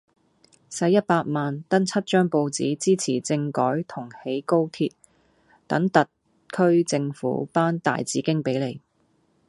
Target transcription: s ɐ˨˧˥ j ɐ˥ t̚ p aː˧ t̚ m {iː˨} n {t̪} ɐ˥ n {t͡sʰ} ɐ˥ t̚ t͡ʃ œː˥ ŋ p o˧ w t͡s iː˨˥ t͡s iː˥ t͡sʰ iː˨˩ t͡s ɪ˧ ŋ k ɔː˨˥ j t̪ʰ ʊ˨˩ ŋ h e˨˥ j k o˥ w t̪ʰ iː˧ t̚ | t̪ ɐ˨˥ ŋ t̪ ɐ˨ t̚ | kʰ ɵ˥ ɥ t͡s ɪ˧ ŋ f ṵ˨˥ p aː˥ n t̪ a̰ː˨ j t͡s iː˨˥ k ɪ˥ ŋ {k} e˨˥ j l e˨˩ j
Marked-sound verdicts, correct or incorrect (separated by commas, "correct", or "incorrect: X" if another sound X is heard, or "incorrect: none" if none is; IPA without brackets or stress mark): incorrect: aː˨, correct, correct, incorrect: p